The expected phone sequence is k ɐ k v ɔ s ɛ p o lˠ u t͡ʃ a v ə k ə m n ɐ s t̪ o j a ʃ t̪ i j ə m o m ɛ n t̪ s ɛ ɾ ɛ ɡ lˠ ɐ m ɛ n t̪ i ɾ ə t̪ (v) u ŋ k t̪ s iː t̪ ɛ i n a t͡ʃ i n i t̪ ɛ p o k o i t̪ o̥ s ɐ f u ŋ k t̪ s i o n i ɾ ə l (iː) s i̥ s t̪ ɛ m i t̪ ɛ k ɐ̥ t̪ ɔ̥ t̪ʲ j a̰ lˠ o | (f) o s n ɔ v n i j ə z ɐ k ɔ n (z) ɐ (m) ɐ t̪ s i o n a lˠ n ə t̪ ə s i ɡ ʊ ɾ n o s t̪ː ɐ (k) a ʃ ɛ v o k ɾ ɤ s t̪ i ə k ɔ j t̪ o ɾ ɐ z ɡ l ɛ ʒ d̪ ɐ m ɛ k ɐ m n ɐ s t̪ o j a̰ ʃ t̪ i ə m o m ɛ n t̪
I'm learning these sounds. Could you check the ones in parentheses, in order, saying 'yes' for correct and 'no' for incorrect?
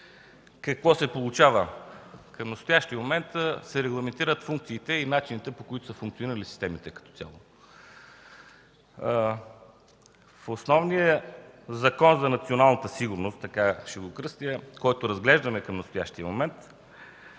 no, no, yes, yes, no, yes

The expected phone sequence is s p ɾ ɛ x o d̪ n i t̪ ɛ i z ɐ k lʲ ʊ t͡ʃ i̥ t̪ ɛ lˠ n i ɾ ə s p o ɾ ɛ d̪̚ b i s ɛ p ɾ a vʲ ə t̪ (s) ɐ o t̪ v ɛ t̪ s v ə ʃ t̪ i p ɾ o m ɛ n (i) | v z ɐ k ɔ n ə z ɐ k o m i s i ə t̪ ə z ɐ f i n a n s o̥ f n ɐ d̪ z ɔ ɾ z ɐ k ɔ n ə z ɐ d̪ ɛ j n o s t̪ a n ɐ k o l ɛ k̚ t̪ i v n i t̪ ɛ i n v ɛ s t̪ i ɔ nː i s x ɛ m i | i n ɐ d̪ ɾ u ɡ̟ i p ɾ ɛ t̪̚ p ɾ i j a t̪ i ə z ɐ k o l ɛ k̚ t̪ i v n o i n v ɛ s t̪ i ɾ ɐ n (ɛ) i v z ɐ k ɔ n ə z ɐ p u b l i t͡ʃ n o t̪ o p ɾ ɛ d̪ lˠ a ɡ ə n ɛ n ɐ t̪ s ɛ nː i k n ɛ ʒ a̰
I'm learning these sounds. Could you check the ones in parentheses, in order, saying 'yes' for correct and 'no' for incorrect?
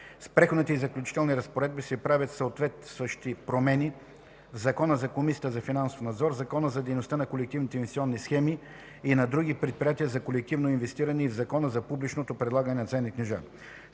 yes, yes, yes

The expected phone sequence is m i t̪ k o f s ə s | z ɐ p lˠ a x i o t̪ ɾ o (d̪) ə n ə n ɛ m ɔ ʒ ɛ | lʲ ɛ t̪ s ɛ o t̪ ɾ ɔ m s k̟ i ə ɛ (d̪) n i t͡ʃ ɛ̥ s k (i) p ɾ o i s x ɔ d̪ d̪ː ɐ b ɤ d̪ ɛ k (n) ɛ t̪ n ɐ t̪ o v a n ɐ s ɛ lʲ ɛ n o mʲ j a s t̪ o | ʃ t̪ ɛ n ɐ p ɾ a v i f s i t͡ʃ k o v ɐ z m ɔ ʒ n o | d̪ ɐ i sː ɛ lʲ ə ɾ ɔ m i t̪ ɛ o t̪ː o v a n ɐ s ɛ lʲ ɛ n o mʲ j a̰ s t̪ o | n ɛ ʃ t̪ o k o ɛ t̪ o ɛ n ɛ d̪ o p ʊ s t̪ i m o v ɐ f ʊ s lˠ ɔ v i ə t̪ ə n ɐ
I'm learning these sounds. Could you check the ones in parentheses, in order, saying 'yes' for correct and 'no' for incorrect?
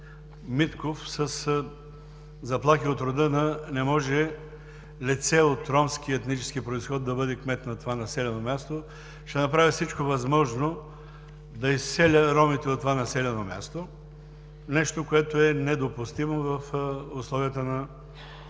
yes, no, yes, no

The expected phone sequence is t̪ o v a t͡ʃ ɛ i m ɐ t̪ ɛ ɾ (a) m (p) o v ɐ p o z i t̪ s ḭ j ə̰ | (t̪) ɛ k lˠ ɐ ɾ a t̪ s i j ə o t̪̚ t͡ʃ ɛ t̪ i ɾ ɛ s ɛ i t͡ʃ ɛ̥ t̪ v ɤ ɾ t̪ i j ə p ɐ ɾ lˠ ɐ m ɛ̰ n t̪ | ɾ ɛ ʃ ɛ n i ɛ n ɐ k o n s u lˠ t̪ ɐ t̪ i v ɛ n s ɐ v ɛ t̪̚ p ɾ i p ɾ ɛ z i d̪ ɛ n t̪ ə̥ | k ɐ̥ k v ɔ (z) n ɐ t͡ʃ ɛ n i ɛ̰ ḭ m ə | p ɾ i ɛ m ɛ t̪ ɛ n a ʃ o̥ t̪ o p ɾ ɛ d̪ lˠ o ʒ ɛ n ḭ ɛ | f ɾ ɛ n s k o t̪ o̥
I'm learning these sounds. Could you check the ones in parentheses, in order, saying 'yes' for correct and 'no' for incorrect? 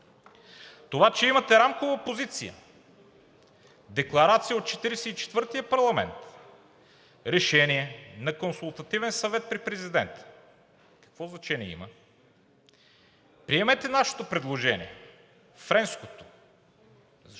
yes, no, no, yes

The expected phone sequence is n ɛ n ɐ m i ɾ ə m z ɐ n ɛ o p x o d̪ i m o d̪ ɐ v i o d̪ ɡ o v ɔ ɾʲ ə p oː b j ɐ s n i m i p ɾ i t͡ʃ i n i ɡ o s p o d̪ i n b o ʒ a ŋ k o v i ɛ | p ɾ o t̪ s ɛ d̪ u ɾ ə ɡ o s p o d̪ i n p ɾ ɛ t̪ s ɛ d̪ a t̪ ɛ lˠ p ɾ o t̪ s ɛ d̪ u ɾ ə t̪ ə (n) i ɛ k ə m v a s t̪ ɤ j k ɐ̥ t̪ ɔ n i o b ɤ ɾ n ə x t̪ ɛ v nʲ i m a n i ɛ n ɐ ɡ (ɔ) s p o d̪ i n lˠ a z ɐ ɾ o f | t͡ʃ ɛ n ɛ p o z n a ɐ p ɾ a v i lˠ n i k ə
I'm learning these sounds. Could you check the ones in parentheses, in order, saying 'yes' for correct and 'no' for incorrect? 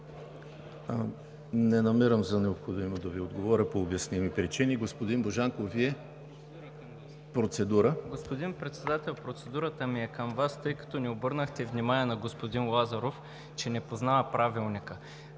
no, no

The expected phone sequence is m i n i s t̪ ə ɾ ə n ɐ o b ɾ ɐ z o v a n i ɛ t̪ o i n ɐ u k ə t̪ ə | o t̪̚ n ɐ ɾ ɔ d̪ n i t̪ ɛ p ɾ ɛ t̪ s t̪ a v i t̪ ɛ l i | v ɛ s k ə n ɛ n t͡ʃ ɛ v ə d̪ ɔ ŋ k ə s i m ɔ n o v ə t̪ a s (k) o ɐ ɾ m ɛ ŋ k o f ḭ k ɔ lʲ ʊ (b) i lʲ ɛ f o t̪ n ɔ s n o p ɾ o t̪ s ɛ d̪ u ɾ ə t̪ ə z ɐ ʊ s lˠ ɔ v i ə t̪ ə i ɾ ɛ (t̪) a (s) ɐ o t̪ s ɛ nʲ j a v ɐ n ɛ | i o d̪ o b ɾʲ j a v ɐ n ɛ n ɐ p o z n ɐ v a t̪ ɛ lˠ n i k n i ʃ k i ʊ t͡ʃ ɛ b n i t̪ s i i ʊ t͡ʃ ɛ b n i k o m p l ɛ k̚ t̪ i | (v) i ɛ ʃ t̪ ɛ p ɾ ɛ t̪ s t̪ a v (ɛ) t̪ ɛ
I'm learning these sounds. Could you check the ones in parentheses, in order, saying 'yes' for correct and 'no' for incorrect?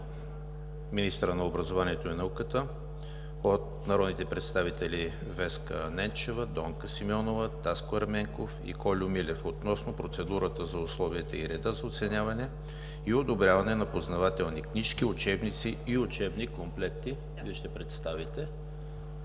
yes, no, no, no, yes, no

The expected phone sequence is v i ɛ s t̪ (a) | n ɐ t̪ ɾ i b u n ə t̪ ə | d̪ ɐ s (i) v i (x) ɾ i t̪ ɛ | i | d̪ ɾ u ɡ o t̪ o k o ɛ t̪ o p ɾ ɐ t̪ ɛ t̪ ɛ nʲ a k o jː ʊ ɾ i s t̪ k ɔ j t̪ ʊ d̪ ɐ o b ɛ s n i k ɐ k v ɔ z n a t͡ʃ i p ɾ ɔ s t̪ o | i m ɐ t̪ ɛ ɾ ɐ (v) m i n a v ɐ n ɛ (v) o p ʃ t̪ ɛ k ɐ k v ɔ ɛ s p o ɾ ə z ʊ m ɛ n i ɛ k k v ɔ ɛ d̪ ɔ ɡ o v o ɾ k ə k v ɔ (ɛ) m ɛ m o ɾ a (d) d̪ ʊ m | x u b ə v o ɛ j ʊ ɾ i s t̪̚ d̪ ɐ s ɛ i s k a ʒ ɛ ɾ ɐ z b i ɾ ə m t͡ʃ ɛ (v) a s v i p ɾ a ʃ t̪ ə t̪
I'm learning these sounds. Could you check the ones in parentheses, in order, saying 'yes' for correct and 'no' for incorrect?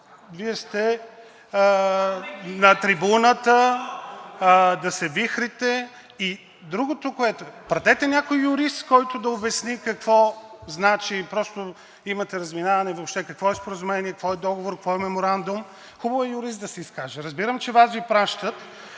no, no, yes, no, yes, yes, no, yes

